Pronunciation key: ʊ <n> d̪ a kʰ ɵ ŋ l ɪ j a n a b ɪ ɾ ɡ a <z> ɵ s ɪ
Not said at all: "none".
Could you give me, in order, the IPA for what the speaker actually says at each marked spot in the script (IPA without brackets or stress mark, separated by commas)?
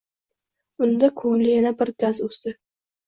n, z